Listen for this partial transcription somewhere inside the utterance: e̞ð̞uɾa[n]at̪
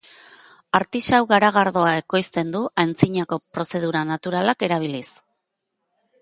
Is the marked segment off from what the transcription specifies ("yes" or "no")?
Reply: no